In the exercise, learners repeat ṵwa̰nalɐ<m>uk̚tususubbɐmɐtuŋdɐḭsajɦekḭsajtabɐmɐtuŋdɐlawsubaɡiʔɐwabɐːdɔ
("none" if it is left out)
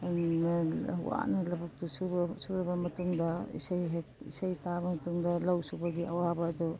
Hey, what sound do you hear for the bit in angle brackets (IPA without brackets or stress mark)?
b